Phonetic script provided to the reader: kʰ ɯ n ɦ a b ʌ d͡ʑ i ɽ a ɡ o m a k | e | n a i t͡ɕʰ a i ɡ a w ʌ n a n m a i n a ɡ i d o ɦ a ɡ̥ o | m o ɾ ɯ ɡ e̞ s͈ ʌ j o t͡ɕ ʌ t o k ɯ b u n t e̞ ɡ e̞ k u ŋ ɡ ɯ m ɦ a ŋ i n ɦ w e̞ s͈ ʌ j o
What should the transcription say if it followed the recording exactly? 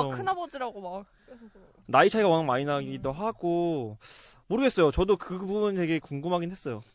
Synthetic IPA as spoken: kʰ ɯ n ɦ a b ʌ d͡ʑ i ɾ a ɡ o m a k | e | n a i t͡ɕʰ a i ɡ a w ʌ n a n m a i n a ɡ i d o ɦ a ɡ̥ o | m o ɾ ɯ ɡ e̞ s͈ ʌ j o t͡ɕ ʌ d o k ɯ b u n t e̞ ɡ e̞ k u ŋ ɡ ɯ m ɦ a ɡ i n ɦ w e̞ s͈ ʌ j o